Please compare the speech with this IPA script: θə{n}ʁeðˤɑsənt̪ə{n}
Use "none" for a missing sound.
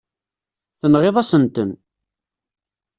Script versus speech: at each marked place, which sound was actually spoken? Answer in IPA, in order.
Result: n, n

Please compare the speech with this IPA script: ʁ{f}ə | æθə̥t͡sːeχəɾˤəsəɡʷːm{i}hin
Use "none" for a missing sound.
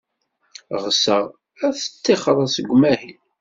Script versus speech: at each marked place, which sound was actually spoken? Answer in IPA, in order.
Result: s, æ

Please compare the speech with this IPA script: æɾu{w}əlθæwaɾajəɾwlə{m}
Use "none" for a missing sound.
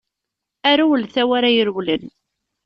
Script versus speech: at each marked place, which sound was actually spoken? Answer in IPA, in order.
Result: w, n

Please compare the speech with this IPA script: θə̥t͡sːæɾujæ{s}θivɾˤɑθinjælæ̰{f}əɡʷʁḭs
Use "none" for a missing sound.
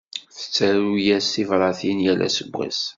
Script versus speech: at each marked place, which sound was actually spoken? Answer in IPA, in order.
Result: s, s

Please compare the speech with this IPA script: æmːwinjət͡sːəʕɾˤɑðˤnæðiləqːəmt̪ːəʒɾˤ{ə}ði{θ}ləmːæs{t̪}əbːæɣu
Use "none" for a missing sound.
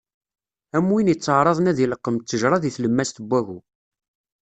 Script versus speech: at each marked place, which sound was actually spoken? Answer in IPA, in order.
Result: ɑ, θ, t̪

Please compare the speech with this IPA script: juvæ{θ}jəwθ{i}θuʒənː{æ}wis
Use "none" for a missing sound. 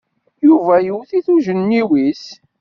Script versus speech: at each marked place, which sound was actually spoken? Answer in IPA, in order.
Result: none, i, i

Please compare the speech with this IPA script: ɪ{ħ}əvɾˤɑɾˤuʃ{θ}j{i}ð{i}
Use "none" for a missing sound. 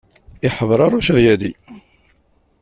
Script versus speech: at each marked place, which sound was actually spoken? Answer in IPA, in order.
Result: ħ, ð, æ, i

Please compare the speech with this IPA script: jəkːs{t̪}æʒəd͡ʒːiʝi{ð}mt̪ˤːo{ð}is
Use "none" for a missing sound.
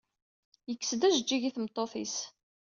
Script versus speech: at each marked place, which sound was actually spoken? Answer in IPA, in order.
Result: d̪, θ, θ

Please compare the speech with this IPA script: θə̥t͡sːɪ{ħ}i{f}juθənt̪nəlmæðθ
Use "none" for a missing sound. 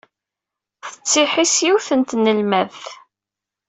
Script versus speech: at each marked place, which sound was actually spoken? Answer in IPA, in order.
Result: ħ, s

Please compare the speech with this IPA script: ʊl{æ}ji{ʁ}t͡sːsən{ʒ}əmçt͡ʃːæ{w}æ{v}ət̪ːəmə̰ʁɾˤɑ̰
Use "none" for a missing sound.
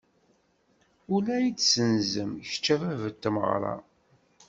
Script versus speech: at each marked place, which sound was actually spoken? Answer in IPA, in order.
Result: æ, none, z, v, v

